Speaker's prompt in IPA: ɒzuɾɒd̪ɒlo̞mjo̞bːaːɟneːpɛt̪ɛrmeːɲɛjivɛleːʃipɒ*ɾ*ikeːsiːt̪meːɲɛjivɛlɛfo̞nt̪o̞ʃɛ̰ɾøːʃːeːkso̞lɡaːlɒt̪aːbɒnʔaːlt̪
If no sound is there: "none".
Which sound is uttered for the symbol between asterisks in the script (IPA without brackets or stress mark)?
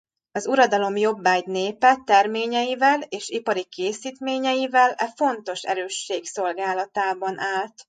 ɾ